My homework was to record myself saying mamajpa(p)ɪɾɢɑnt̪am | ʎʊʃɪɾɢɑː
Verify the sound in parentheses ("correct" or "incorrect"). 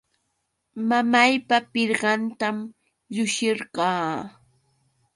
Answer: correct